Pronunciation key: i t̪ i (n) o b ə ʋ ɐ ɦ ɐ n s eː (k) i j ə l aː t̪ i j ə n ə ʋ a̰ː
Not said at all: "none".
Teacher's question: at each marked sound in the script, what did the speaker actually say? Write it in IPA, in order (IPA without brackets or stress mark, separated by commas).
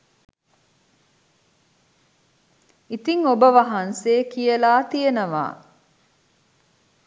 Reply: ŋ, k